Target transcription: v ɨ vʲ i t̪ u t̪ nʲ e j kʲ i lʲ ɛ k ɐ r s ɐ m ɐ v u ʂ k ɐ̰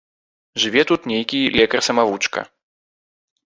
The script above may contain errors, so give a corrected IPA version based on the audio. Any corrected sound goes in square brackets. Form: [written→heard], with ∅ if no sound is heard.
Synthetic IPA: [v→ʐ] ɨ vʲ [i→ɛ] t̪ u t̪ nʲ e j kʲ i lʲ ɛ k ɐ r s ɐ m [ɐ→a] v u [ʂ→t͡ʂ] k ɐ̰